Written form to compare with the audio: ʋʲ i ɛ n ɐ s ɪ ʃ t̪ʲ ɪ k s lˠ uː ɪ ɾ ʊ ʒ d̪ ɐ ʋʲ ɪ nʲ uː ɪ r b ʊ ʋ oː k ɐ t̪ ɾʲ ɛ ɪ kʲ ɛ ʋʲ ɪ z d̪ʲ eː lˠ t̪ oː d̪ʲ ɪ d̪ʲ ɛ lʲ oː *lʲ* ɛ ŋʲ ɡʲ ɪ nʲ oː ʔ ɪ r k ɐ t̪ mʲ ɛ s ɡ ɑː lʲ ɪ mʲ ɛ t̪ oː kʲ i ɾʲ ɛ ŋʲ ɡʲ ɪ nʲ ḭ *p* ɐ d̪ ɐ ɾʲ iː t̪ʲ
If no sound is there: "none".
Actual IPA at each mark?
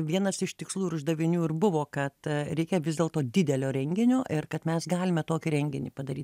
ɾʲ, p

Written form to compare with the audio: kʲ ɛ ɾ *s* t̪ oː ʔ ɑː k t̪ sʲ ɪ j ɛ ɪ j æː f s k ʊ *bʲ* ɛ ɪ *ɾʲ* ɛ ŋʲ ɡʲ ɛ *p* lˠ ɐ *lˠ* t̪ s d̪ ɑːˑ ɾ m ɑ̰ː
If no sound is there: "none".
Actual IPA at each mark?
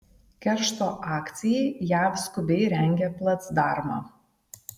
ʃ, bʲ, ɾʲ, p, none

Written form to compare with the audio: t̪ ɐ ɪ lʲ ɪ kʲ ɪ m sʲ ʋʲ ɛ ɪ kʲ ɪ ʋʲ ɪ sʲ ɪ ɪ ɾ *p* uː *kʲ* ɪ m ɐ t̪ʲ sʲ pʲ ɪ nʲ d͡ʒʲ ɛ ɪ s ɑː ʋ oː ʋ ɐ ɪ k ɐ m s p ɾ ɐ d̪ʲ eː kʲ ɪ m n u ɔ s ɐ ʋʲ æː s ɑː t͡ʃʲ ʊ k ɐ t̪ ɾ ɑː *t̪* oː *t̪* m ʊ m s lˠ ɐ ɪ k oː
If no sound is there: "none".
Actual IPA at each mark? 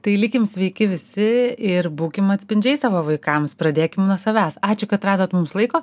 b, kʲ, d̪, t̪

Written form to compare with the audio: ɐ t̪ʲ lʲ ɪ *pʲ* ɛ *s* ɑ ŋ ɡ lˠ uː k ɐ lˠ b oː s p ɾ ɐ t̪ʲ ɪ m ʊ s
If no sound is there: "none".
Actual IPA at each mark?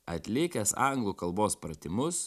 kʲ, s

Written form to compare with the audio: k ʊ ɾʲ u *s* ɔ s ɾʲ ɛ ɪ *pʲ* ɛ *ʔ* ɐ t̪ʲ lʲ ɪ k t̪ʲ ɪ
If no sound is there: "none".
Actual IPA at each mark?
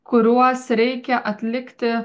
none, kʲ, ʔ

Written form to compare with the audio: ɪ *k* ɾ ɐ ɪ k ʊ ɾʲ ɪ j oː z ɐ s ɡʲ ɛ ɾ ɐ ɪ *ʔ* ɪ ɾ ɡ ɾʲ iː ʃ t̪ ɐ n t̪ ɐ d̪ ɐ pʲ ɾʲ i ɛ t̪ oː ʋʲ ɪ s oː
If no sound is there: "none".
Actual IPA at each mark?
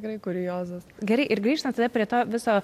k, ʔ

